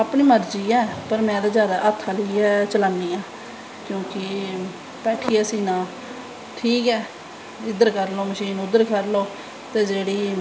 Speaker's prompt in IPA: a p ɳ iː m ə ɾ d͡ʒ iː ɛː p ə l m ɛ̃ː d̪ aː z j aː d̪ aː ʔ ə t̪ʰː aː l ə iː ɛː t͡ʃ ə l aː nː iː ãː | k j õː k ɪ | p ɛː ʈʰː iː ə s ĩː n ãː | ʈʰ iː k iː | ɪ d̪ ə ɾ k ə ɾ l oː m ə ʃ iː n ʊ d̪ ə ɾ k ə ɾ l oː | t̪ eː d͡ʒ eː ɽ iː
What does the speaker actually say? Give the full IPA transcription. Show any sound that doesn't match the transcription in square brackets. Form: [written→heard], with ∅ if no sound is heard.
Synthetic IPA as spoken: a p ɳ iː m ə ɾ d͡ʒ iː ɛː p ə [l→ɾ] m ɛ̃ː d̪ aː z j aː d̪ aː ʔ ə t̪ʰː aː l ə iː ɛː t͡ʃ ə l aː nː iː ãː | k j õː k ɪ | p ɛː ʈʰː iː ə s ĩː n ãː | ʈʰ iː k [iː→ɛː] | ɪ d̪ ə ɾ k ə ɾ l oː m ə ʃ iː n ʊ d̪ ə ɾ k ə ɾ l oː | t̪ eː d͡ʒ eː ɽ iː